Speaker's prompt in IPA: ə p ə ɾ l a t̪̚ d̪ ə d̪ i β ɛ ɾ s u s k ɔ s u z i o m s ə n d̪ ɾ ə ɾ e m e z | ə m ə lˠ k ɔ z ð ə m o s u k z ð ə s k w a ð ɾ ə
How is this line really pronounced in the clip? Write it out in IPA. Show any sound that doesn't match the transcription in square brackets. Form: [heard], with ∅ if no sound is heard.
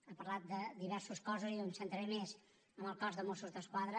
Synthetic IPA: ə p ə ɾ l a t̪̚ d̪ ə d̪ i β ɛ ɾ s u s k ɔ [z] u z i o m s ə n [t̪] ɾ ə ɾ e m e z | ə m ə lˠ k ɔ z ð ə m o s u [∅] z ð ə s k w a ð ɾ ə